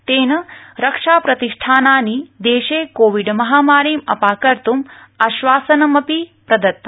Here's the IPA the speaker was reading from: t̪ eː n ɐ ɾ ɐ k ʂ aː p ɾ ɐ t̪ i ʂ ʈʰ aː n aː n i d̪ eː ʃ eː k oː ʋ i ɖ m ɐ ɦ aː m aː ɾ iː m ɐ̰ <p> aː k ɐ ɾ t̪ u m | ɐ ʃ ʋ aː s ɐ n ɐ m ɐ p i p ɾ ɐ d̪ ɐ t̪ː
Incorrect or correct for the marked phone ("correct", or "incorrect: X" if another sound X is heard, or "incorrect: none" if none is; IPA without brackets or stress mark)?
correct